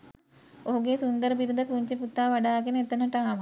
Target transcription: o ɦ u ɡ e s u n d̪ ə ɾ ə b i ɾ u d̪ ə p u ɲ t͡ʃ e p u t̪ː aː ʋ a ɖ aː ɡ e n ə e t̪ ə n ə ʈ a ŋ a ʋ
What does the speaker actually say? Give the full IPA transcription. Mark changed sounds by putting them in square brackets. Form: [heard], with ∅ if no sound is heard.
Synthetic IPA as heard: o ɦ u ɡ e s u n d̪ ə ɾ ə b i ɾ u d̪ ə p u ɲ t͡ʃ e p u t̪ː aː ʋ a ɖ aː ɡ e n ə e t̪ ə n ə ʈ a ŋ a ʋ